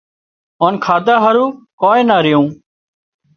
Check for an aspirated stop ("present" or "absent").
present